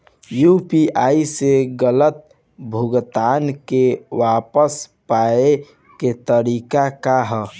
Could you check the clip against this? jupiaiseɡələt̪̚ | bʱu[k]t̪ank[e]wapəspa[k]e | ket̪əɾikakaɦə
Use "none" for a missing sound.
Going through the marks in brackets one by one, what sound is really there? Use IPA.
ɡ, e, none

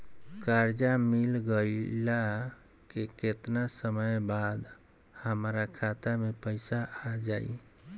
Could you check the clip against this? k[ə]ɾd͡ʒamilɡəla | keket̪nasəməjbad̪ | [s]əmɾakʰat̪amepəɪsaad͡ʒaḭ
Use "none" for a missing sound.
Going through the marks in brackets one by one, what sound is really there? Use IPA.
a, h

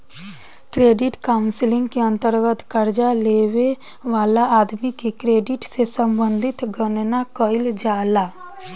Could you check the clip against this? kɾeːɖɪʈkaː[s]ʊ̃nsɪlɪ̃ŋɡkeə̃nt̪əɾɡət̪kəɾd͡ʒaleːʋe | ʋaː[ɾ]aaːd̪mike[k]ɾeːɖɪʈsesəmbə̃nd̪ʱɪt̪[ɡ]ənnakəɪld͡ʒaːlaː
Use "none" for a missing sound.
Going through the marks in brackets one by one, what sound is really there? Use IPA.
none, l, k, ɡ

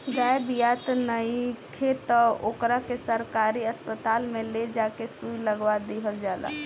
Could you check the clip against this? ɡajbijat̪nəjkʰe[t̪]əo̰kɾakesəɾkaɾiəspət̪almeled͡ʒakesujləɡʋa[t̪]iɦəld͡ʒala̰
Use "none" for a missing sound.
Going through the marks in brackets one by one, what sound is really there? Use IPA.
t̪, d̪

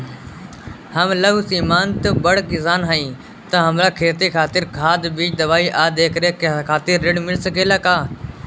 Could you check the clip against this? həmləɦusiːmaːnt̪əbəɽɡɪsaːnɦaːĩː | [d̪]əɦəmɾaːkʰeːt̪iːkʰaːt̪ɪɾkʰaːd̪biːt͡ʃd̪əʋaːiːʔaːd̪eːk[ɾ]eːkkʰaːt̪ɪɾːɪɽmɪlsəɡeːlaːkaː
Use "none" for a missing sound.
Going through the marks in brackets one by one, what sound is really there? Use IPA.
t̪, ɾ

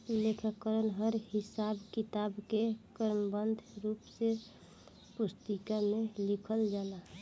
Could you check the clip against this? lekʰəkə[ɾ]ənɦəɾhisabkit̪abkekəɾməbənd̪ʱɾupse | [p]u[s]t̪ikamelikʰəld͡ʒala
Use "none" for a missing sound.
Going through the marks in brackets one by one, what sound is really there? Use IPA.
ɾ, p, s

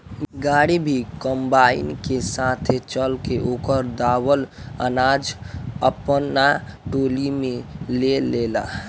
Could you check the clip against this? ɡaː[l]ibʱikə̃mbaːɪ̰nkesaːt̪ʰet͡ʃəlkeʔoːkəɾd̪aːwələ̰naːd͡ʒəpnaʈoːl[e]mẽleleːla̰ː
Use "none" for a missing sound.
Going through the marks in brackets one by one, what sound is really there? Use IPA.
ɽ, i

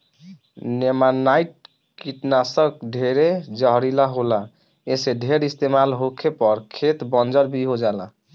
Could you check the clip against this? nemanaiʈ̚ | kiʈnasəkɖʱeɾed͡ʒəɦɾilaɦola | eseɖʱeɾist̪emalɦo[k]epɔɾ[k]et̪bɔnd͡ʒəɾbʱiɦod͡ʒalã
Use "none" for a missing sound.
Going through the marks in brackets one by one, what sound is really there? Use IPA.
kʰ, kʰ

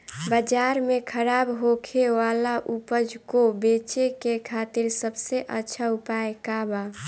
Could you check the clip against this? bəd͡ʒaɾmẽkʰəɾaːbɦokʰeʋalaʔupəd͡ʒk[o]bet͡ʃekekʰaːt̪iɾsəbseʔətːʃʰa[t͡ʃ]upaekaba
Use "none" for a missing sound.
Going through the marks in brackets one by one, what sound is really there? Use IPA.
o, none

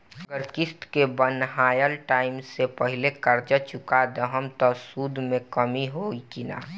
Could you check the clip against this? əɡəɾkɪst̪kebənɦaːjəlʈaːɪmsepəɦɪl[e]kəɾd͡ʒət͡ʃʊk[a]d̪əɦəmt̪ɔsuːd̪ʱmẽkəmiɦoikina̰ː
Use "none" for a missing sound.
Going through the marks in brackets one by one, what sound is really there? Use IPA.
e, a

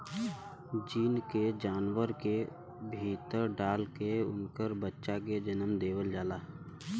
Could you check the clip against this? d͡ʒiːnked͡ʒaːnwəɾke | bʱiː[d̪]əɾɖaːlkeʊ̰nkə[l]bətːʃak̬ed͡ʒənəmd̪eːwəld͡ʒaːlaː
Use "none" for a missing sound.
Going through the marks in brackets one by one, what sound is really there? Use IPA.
t̪, ɾ

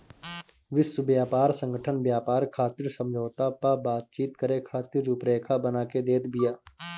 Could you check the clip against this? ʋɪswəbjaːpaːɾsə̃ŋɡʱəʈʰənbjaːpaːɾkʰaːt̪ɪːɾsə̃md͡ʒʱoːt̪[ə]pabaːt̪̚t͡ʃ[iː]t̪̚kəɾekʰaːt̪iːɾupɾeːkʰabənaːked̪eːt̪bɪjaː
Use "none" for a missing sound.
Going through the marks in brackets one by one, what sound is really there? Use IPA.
a, iː

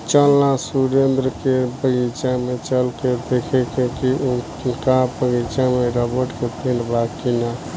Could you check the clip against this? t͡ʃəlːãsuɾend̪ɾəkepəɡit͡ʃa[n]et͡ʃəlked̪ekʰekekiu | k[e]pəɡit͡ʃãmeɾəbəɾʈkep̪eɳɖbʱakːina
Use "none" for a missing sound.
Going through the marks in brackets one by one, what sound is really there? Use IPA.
m, a

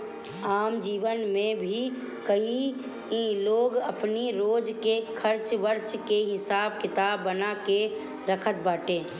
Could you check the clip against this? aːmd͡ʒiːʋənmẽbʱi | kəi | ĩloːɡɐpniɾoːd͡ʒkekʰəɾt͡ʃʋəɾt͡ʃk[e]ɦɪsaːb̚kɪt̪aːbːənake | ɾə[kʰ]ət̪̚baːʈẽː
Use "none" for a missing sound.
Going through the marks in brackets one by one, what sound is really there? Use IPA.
e, kʰ

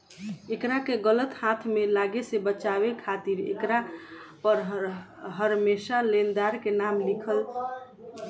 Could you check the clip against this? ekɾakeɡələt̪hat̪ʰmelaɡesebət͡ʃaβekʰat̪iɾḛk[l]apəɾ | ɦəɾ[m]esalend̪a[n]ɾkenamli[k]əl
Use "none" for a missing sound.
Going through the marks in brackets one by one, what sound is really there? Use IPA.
ɾ, m, none, kʰ

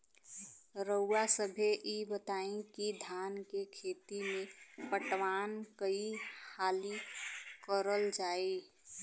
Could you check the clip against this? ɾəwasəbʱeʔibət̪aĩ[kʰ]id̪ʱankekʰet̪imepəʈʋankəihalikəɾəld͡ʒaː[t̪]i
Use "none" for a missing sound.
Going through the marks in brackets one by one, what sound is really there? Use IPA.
k, none

